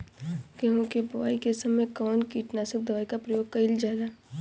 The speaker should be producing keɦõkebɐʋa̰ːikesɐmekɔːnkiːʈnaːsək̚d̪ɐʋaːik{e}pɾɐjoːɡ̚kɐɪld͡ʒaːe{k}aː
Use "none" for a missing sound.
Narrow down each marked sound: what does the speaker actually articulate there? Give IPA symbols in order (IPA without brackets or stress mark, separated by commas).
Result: a, ɡ